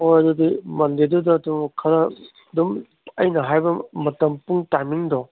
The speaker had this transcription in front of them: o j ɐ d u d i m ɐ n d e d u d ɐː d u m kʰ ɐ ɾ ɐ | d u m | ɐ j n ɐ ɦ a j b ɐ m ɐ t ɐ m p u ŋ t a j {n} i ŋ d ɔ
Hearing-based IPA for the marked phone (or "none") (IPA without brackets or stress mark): m